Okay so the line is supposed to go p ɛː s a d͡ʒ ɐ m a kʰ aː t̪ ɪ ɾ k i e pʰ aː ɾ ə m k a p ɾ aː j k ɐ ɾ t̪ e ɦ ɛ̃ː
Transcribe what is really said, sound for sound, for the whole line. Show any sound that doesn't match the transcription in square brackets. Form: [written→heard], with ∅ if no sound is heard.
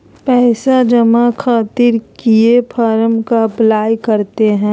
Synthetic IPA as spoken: p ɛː s a d͡ʒ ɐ m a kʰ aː t̪ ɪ ɾ k i e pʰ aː ɾ ə m k a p [ɾ→l] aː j k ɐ ɾ t̪ e ɦ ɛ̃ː